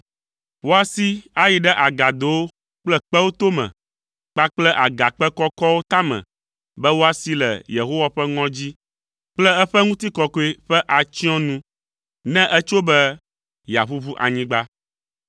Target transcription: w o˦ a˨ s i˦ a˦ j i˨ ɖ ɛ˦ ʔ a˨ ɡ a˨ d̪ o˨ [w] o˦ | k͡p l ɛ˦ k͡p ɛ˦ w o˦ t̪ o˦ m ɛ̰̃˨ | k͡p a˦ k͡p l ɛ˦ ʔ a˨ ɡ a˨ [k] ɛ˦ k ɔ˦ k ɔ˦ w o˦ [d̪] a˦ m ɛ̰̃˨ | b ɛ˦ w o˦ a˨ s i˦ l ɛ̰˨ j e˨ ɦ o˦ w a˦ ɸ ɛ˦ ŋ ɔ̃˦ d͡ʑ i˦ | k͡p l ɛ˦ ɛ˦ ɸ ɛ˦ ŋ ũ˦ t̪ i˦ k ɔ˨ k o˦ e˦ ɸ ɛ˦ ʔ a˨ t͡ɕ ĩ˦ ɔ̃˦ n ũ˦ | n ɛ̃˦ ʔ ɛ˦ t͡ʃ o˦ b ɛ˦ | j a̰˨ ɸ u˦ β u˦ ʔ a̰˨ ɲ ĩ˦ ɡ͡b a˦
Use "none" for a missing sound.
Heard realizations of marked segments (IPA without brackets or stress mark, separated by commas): w, k͡p, t̪